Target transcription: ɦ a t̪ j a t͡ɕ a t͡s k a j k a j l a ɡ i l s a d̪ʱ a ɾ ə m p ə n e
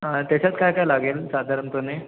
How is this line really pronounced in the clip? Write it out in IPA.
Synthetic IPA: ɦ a t̪ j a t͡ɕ a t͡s k a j k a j l a ɡ e l s a d̪ʱ a ɾ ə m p ə n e